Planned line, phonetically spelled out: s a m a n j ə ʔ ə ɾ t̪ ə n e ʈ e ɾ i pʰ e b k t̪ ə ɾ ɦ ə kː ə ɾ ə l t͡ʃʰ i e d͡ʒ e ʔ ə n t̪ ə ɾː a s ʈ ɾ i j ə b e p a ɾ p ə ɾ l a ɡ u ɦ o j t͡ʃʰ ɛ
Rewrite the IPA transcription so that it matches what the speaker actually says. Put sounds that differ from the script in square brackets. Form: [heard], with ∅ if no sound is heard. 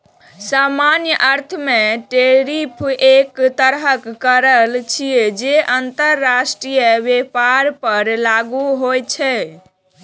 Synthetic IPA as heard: s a m a n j ə ʔ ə ɾ [t̪ʰ] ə [m] e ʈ e ɾ i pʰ e [∅] k t̪ ə ɾ ɦ ə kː ə ɾ ə l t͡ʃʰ i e d͡ʒ e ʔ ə n t̪ ə ɾː a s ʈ ɾ i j ə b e p a ɾ p ə ɾ l a ɡ u ɦ o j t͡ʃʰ ɛ

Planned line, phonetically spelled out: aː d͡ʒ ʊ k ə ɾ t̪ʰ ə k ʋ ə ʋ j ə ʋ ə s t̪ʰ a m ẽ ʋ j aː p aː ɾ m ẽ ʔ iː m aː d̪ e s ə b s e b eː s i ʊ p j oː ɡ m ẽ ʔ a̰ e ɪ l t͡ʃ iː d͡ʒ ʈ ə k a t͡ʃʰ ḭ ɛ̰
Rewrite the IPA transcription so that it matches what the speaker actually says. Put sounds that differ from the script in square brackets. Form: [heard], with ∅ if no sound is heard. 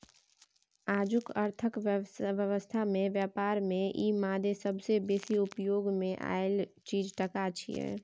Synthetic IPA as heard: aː d͡ʒ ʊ k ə ɾ t̪ʰ ə k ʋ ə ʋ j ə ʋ ə s t̪ʰ a m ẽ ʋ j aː p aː ɾ m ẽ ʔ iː m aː d̪ e s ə b s e b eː s i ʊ p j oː ɡ m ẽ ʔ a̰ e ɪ l t͡ʃ iː d͡ʒ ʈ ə k a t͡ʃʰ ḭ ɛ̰

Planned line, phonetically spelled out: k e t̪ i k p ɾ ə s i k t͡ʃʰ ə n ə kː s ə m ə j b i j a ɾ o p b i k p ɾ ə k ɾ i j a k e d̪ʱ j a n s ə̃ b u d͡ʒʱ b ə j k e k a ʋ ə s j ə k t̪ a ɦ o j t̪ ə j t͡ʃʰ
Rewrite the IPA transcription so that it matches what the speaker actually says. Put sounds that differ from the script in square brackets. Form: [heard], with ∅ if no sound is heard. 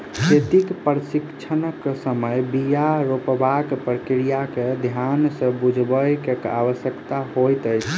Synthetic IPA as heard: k e t̪ i k p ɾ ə s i k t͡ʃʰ ə n ə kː s ə m ə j b i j a ɾ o p b [a] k p ɾ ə k ɾ i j a k e d̪ʱ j a n s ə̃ b u d͡ʒʱ b ə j k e k a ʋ ə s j ə k t̪ a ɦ o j t̪ ə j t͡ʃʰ

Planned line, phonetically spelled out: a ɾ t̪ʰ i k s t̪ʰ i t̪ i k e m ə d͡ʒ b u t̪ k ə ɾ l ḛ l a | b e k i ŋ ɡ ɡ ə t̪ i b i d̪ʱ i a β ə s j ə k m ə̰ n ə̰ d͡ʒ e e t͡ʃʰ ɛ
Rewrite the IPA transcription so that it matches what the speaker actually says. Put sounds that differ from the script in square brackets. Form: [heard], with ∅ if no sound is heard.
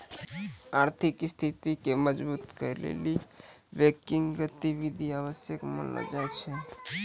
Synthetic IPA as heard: a ɾ t̪ʰ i k s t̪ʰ i t̪ i k e m ə d͡ʒ b u t̪ k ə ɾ l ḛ l [i] | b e k i ŋ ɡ ɡ ə t̪ i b i d̪ʱ i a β ə s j ə k m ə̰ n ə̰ d͡ʒ [a] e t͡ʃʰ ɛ

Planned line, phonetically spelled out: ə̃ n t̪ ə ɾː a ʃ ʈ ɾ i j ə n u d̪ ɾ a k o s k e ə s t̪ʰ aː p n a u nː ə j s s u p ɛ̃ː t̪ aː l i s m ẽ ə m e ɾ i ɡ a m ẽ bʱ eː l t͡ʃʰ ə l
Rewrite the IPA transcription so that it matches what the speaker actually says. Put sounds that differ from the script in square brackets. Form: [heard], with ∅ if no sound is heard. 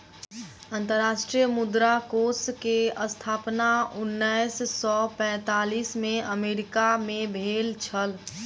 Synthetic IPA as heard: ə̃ n t̪ ə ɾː a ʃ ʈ ɾ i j ə [m] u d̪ ɾ a k o s k e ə s t̪ʰ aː p n a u nː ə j s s [ɔ] p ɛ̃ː t̪ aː l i s m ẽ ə m e ɾ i [k] a m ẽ bʱ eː l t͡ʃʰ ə l

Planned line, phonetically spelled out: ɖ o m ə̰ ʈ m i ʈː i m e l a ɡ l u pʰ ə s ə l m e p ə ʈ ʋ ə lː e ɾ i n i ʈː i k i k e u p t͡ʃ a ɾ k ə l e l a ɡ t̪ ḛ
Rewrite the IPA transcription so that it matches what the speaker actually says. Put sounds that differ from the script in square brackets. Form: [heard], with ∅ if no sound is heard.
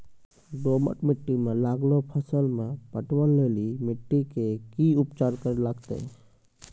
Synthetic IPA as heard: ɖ o m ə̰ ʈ m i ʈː i m e l a ɡ l [o] pʰ ə s ə l m e p ə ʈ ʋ ə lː e [l] i [m] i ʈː i k [e] k [i] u p t͡ʃ a ɾ k ə [ɾ] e l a ɡ t̪ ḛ

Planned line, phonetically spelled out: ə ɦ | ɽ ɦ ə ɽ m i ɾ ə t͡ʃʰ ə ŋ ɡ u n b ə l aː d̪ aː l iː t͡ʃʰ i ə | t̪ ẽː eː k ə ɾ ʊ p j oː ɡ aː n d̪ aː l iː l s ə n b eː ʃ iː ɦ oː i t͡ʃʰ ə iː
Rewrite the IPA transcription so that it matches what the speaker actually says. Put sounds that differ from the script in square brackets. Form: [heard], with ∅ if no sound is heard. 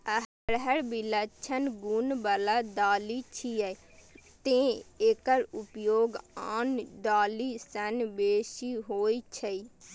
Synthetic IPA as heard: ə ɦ | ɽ ɦ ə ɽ [b] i [l] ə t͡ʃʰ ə [n] ɡ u n b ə l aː d̪ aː l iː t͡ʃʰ i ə | t̪ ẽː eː k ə ɾ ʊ p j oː ɡ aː n d̪ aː l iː [∅] s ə n b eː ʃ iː ɦ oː i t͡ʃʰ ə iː

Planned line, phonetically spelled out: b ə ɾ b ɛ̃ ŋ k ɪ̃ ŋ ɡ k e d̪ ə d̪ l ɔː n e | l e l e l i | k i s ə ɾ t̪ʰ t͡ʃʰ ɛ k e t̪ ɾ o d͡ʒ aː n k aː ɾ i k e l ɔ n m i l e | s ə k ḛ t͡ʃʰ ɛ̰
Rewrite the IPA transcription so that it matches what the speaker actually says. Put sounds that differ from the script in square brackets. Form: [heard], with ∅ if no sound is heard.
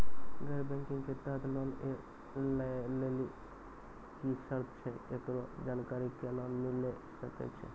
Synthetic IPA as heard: [ɡ] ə ɾ b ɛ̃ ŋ k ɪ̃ ŋ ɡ k e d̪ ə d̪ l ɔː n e | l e l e l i | k i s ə ɾ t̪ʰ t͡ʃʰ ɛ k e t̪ ɾ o d͡ʒ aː n k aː ɾ i k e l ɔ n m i l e | s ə k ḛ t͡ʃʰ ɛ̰

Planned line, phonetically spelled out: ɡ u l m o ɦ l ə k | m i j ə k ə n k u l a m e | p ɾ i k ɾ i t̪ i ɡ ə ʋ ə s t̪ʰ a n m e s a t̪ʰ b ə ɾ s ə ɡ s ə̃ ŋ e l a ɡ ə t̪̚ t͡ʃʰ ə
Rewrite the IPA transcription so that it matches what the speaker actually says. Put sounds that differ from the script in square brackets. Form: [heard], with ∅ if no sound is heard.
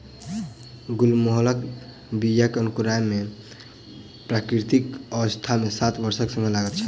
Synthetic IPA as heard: ɡ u l m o ɦ l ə k | [b] i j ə k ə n k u [ɾ] a m e | p ɾ [a] k ɾ i t̪ i [k] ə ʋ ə s t̪ʰ a [∅] m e s a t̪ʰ b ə ɾ s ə [k] s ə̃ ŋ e l a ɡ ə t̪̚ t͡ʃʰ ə

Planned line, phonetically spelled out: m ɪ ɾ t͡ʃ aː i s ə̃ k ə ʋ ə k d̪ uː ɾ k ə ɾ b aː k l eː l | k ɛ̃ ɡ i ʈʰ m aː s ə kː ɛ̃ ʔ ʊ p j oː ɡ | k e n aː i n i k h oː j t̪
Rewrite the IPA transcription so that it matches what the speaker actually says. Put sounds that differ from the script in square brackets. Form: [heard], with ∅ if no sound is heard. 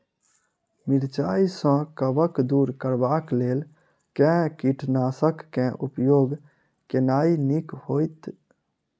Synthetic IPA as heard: m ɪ ɾ t͡ʃ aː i s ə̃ k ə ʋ ə k d̪ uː ɾ k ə ɾ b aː k l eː l | k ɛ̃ [k] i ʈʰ [n] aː s ə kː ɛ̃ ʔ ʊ p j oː ɡ | k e n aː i n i k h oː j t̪

